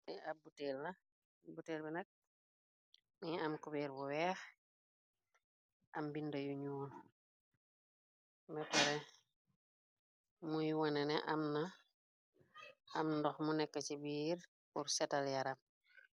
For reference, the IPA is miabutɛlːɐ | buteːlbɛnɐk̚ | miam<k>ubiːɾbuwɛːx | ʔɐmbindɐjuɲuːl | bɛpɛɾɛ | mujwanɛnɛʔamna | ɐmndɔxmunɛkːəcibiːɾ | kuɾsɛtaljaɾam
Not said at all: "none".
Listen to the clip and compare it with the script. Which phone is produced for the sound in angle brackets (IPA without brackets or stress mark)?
k